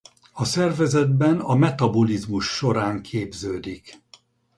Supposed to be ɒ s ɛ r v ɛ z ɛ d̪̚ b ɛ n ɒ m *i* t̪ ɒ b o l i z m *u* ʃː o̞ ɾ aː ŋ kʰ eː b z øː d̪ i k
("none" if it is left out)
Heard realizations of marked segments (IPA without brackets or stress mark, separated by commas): ɛ, u